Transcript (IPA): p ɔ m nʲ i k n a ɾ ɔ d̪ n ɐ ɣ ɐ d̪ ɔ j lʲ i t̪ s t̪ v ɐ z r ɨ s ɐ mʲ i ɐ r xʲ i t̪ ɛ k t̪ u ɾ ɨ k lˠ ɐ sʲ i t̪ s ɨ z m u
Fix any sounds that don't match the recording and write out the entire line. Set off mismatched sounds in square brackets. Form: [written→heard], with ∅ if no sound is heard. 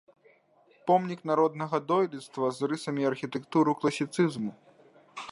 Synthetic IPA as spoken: p ɔ m nʲ i k n a ɾ ɔ d̪ n ɐ ɣ ɐ d̪ ɔ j lʲ i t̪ s t̪ v ɐ z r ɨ s ɐ mʲ i ɐ r xʲ i t̪ ɛ k t̪ u ɾ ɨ k lˠ ɐ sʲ i t̪ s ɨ z m u